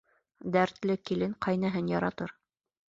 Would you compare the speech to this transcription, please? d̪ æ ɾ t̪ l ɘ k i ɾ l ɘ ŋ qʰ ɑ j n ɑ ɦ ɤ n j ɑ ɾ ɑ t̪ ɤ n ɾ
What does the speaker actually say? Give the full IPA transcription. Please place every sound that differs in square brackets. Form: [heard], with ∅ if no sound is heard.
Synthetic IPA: d̪ æ ɾ t̪ l ɘ k i [∅] l ɘ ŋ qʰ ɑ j n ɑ ɦ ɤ n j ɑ ɾ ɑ t̪ ɤ [∅] ɾ